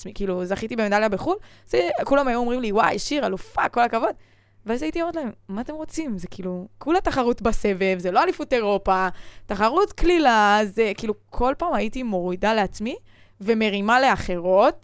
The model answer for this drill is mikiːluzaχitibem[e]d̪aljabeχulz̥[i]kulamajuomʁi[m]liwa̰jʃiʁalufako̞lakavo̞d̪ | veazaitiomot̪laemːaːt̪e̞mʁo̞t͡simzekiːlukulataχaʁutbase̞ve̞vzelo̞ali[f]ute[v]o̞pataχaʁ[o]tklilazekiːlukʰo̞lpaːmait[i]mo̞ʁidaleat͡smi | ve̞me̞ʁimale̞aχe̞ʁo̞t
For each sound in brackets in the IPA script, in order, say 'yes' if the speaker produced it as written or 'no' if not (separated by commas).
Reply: yes, no, yes, yes, no, no, yes